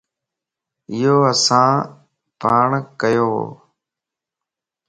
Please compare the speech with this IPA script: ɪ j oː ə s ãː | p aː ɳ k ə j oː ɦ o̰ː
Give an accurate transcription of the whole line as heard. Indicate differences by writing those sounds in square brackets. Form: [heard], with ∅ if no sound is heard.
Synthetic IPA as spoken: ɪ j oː ə s ãː | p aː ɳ k ə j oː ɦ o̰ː